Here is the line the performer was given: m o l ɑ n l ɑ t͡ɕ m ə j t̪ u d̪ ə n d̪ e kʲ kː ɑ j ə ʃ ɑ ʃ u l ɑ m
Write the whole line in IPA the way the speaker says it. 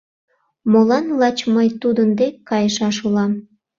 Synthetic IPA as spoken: m o l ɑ n l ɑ t͡ɕ m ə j t̪ u d̪ ə n d̪ e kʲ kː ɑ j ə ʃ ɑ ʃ u l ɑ m